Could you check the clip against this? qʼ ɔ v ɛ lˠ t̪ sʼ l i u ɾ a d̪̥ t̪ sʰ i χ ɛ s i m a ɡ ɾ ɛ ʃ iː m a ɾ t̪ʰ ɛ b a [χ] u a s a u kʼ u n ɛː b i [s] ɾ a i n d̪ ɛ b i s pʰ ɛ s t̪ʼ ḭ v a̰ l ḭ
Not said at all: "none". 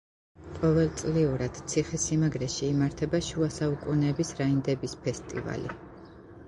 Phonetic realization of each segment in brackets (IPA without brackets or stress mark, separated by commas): ʃ, s